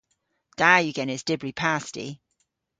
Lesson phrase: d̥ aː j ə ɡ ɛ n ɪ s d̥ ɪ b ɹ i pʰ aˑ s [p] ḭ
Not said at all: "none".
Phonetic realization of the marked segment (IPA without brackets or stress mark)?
t